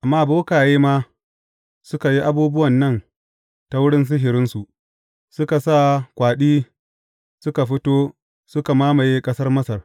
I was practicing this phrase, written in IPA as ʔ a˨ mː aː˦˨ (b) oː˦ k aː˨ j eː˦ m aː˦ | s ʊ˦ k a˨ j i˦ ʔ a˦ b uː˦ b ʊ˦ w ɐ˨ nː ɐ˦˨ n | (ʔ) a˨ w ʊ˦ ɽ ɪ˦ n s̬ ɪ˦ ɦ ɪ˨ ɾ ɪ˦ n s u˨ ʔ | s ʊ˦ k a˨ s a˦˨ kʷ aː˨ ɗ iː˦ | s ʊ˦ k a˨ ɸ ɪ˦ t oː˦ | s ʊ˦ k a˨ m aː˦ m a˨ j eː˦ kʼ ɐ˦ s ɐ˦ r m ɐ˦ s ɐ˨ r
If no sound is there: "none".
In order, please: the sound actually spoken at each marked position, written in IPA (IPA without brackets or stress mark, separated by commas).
b, t